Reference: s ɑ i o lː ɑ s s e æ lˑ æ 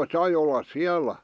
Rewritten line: s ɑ i o lː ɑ s s i æ lˑ æ